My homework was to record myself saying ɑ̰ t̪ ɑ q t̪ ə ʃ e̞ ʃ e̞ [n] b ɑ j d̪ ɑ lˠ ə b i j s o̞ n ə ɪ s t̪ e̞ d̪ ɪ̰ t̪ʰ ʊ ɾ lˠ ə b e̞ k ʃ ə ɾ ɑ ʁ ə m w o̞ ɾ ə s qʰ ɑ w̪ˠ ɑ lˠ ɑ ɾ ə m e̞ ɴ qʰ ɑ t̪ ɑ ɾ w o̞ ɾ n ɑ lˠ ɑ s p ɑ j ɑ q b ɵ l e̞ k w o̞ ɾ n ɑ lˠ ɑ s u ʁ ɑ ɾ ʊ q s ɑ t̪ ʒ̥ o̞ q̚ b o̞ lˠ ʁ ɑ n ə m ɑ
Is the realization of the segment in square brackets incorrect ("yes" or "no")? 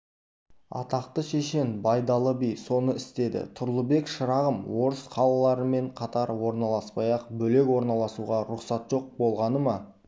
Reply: no